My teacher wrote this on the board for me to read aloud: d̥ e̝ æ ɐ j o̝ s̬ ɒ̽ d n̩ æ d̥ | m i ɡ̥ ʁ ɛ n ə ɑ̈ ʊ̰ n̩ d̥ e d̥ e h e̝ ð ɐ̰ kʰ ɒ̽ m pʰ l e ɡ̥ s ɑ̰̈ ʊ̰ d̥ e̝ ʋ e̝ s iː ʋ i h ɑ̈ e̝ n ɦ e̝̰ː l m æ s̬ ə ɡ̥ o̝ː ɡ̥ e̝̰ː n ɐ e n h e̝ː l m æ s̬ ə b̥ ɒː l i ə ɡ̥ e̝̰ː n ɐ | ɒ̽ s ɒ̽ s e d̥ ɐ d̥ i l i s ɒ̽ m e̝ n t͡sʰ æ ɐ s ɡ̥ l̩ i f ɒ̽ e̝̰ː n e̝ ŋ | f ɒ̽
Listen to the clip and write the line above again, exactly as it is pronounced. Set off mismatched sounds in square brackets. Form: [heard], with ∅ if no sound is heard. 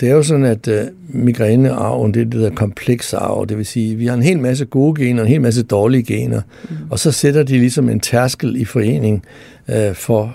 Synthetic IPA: d̥ e̝ æ ɐ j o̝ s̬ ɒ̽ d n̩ æ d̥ | m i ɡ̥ ʁ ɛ n ə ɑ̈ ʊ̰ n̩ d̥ e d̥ e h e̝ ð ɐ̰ kʰ ɒ̽ m pʰ l e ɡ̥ s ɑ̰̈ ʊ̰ d̥ e̝ ʋ e̝ s iː ʋ i h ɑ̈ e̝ n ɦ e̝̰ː l m æ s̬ ə ɡ̥ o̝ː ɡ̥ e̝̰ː n ɐ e n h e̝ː l m æ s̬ ə [d̥] ɒː l i ə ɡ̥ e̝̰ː n ɐ | ɒ̽ s ɒ̽ s e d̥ ɐ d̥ i l i s ɒ̽ m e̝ n t͡sʰ æ ɐ s ɡ̥ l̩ i f ɒ̽ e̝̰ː n e̝ ŋ | f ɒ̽